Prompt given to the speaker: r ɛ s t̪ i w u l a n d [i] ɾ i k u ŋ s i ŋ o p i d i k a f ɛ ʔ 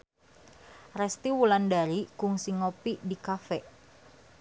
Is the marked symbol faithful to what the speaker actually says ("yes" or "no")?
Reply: no